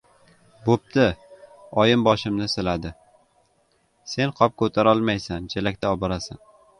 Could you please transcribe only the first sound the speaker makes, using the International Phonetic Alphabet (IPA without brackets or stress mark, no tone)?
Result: b